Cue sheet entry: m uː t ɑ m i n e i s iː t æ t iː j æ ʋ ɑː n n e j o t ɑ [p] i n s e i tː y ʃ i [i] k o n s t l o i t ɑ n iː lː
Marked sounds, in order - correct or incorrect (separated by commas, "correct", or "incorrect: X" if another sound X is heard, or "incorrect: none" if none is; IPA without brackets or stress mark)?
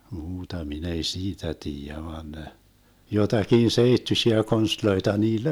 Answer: incorrect: k, incorrect: æ